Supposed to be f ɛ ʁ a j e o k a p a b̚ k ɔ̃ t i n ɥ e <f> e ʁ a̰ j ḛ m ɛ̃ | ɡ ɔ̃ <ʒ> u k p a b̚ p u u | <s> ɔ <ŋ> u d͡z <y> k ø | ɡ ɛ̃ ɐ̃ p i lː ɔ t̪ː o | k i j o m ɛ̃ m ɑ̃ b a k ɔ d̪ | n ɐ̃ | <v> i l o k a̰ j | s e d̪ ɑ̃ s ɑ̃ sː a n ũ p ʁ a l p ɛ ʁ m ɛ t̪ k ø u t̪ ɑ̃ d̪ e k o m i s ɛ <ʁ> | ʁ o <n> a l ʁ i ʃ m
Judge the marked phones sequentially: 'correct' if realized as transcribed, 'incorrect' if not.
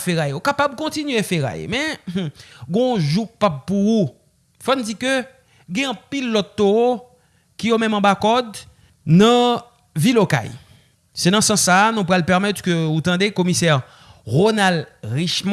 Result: correct, correct, incorrect, incorrect, incorrect, correct, correct, correct

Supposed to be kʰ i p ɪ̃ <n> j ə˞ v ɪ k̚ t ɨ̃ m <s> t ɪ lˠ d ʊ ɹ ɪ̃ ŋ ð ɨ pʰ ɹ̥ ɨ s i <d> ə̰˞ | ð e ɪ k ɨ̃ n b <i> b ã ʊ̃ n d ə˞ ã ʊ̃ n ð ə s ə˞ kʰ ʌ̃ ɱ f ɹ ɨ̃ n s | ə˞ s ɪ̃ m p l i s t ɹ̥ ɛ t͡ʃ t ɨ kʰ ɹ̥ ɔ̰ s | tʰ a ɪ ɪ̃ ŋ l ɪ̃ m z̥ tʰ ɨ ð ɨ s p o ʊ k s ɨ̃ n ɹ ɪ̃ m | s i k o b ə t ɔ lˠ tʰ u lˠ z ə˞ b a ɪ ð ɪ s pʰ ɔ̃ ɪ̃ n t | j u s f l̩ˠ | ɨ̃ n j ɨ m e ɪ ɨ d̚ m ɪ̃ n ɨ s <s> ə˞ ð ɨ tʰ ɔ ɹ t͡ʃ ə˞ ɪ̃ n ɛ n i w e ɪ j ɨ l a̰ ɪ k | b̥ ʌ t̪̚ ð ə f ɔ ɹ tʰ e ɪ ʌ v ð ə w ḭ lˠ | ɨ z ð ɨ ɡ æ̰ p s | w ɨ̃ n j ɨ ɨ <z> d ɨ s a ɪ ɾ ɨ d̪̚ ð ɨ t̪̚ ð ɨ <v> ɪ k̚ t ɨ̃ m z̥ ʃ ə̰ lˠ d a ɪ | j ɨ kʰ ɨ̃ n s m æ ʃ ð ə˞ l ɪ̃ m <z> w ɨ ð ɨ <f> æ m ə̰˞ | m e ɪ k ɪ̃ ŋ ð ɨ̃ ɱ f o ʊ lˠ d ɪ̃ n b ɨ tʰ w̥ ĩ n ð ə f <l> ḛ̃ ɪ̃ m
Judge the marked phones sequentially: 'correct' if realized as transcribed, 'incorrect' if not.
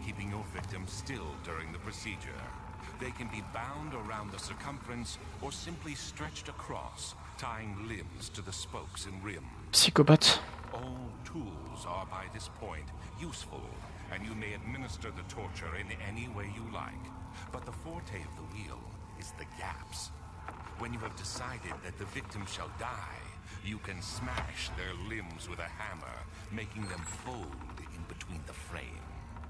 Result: incorrect, correct, incorrect, correct, incorrect, incorrect, correct, correct, incorrect, incorrect

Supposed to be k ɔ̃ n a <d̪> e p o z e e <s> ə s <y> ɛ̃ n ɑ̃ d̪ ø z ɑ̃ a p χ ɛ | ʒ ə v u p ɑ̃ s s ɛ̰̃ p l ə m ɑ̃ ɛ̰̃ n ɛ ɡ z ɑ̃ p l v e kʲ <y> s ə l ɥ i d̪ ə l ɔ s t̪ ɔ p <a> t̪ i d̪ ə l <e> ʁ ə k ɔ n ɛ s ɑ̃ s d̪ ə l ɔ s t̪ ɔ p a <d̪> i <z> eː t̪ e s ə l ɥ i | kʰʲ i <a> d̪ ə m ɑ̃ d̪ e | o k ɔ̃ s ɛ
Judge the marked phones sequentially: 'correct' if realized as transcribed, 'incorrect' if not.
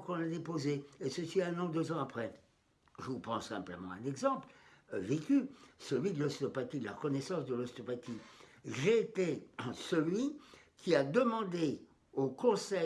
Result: correct, correct, incorrect, correct, correct, incorrect, incorrect, incorrect, correct

